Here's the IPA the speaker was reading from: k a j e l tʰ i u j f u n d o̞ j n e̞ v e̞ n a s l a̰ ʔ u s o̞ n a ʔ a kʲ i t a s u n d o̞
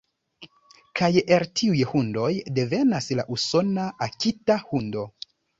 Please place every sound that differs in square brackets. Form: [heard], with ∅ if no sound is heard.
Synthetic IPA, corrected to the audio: k a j e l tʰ i u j [h] u n d o̞ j [d] e̞ v e̞ n a s l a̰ ʔ u s o̞ n a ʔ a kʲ i t a [h] u n d o̞